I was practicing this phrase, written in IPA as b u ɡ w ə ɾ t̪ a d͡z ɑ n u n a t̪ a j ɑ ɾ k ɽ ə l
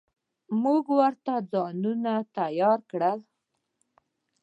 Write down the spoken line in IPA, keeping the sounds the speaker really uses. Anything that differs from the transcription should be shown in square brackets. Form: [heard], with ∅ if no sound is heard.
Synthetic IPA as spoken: [m] u ɡ w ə ɾ t̪ a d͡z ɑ n u n a t̪ a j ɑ ɾ k ɽ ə l

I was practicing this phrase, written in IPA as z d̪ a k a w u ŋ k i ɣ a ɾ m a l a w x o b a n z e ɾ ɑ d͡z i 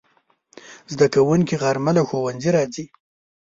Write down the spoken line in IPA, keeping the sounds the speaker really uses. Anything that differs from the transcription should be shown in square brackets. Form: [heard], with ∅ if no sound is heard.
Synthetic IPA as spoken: z d̪ a k a w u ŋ k i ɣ a ɾ m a l a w x o [w] a n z [i] ɾ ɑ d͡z i

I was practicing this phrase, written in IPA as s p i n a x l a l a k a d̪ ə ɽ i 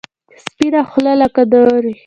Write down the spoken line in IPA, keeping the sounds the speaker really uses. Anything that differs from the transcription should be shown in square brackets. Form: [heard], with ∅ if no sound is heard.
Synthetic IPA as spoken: s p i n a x l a l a k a d̪ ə [ɾ] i

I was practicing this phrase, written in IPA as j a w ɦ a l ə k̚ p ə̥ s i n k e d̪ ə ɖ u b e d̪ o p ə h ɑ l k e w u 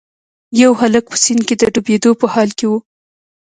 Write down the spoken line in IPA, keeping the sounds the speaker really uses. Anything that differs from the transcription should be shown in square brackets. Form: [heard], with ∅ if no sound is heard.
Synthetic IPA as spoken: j a w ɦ a l ə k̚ p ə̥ s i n k e d̪ ə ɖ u b e d̪ o p ə h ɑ l k e w u

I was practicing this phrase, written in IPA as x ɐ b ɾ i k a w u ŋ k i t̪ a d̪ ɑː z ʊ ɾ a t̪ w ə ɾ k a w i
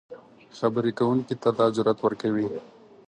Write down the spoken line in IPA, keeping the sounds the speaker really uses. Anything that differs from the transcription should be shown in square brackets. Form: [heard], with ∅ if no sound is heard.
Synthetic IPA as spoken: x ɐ b ɾ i k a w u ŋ k i t̪ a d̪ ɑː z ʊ ɾ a t̪ w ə ɾ k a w i

